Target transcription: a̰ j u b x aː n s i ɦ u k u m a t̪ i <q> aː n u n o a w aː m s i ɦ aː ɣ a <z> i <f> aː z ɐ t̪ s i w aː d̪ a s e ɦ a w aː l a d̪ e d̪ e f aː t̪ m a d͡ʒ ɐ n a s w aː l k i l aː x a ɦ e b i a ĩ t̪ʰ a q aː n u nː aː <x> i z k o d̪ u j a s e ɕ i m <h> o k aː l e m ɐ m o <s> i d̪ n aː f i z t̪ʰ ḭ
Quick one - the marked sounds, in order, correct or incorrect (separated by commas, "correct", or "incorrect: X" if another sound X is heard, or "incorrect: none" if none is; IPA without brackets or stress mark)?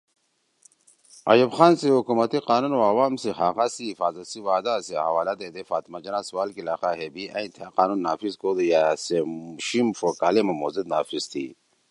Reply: correct, incorrect: s, correct, incorrect: f, incorrect: f, incorrect: z